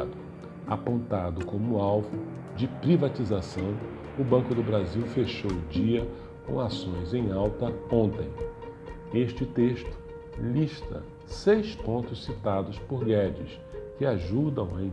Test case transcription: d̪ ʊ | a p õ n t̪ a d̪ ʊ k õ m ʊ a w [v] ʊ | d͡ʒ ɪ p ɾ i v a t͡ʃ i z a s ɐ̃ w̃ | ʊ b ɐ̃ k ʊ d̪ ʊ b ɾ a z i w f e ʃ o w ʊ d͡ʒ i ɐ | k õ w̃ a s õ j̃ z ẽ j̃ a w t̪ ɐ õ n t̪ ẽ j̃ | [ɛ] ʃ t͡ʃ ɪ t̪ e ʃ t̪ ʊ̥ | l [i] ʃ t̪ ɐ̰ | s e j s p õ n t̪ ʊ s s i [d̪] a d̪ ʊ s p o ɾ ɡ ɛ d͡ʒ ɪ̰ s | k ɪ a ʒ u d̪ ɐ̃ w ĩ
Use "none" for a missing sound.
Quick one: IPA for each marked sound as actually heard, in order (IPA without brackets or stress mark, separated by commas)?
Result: v, e, i, t̪